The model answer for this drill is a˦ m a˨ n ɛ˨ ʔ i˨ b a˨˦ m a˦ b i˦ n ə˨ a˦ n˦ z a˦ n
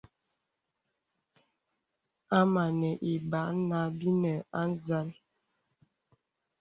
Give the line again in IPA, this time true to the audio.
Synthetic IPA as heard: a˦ m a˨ n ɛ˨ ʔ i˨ b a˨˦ n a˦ b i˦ n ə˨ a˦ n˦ z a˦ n